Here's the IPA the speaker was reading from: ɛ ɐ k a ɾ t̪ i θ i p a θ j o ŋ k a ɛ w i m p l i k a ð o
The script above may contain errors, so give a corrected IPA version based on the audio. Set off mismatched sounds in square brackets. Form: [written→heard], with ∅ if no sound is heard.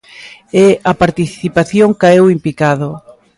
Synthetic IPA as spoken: ɛ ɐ [k→p] a ɾ t̪ i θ i p a θ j o ŋ k a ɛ w i m p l i k a ð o